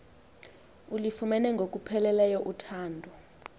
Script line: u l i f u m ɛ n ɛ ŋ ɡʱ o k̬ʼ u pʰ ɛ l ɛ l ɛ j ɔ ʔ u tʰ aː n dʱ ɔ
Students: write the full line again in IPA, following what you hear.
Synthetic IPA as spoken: u l i f u m ɛ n ɛ ŋ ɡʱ o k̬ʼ u pʰ ɛ l ɛ l ɛ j ɔ ʔ u tʰ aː n dʱ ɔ